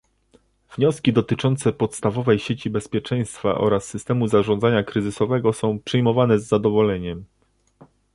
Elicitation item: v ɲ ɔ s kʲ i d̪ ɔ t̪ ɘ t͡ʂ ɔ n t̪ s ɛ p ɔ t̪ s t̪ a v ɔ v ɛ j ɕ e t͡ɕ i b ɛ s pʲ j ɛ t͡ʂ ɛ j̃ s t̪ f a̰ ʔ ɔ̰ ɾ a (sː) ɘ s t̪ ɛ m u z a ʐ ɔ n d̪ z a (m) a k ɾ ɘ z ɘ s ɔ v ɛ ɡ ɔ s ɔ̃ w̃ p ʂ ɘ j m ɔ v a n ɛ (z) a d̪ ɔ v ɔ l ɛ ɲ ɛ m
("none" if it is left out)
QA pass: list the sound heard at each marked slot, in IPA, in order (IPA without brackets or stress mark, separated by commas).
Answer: sː, ɲ, zː